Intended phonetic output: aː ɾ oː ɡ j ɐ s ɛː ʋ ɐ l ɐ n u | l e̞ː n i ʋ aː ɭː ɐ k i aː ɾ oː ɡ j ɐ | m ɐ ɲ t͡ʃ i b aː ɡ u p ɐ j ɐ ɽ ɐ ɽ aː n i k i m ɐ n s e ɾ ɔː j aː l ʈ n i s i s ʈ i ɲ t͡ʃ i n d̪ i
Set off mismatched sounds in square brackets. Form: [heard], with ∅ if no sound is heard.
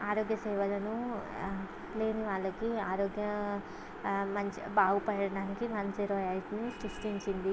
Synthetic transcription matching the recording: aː ɾ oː ɡ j ɐ s ɛː ʋ ɐ l ɐ n u | l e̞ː n i ʋ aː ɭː ɐ k i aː ɾ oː ɡ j ɐ | m ɐ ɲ t͡ʃ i b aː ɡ u p ɐ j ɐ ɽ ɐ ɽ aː n i k i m ɐ n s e ɾ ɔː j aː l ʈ n i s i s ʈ i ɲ t͡ʃ i n d̪ i